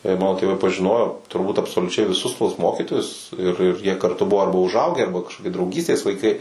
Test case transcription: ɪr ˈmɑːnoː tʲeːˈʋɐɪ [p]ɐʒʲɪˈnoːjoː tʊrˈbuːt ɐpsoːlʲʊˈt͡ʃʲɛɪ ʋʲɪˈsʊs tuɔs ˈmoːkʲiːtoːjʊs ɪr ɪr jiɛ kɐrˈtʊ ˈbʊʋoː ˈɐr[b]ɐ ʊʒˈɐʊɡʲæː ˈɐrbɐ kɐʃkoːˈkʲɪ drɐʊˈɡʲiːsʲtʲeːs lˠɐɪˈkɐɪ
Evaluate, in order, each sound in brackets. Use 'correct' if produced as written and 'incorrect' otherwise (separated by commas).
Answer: correct, correct